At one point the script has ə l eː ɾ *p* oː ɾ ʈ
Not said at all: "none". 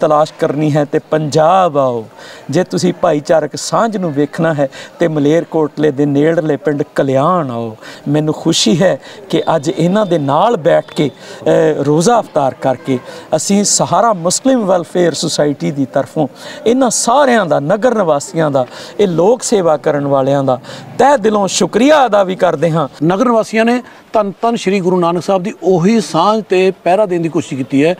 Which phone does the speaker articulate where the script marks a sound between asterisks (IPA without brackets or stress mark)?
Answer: k